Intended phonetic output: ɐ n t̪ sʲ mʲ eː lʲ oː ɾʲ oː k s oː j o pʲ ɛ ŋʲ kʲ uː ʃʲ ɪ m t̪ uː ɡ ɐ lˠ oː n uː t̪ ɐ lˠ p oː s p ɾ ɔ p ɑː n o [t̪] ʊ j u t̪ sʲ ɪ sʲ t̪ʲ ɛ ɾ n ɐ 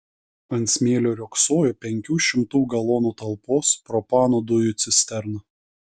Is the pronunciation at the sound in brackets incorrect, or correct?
incorrect